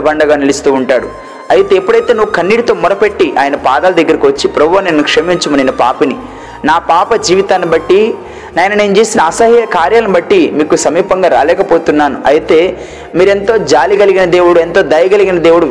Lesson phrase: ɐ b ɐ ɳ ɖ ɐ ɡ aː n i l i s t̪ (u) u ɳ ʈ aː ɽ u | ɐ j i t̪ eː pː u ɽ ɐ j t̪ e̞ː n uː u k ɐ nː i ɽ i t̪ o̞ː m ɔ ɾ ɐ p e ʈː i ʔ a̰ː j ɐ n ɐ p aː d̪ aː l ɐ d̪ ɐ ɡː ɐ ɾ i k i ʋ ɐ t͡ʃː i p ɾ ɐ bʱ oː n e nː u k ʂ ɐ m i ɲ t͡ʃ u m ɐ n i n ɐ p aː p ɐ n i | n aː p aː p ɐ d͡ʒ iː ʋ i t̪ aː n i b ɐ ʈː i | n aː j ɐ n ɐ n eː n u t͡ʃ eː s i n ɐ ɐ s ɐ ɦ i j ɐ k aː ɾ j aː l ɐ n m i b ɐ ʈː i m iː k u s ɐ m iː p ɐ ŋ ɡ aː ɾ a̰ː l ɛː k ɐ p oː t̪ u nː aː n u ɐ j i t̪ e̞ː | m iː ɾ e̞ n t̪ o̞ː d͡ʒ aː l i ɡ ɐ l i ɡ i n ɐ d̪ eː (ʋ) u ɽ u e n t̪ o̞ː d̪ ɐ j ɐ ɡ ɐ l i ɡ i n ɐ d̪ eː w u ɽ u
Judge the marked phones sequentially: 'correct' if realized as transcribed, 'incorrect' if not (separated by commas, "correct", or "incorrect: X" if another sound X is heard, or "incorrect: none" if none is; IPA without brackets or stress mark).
incorrect: uː, incorrect: w